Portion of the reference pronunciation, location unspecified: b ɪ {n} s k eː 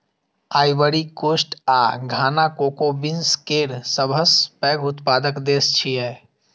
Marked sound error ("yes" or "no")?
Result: no